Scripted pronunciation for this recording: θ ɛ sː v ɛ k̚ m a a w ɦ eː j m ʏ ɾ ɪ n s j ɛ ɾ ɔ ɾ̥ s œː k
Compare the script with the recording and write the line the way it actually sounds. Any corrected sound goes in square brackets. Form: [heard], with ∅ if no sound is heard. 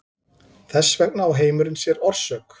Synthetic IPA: θ ɛ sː v ɛ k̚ [n] a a w ɦ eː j m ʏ ɾ ɪ n s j ɛ ɾ ɔ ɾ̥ s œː k